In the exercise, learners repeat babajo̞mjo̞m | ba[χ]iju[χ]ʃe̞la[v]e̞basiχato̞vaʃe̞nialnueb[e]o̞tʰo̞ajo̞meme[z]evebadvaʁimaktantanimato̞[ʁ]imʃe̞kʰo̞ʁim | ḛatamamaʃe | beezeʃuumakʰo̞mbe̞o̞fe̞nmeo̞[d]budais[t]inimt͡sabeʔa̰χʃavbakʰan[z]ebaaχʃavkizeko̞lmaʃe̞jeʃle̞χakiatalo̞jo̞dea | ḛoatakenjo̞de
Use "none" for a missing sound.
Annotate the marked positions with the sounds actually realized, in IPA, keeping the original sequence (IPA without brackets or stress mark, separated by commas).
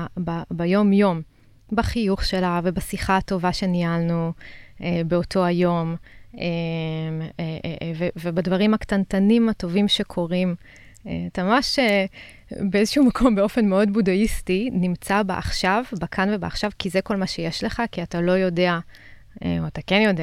χ, χ, v, e, v, v, d, t, v